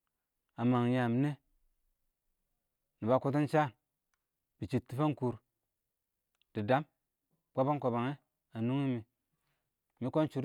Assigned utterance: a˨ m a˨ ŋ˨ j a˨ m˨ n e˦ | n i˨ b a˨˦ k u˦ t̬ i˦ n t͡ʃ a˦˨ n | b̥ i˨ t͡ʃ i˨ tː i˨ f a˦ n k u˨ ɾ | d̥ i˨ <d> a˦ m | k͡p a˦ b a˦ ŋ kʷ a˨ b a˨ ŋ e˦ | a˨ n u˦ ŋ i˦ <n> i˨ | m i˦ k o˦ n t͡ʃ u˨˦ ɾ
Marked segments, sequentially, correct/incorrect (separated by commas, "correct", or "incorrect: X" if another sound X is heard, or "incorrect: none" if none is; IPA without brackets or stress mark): correct, incorrect: m